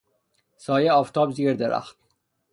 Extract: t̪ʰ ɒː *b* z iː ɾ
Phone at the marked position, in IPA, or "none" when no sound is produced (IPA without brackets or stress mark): b